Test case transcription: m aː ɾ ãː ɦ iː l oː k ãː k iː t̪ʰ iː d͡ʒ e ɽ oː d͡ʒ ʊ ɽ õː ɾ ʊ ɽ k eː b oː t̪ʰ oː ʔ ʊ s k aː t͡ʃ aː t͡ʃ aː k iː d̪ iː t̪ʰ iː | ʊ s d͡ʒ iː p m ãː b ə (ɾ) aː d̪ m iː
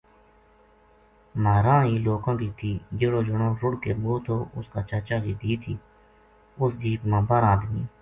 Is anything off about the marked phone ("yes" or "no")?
no